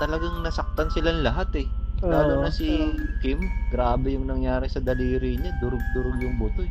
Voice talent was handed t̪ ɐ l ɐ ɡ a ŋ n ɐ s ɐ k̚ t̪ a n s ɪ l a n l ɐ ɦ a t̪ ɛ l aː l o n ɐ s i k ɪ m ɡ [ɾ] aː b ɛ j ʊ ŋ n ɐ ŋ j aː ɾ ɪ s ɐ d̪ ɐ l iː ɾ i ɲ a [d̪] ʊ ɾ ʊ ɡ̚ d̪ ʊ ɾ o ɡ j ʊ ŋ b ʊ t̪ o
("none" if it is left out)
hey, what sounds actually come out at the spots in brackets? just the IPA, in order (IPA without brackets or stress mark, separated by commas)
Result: ɾ, d̪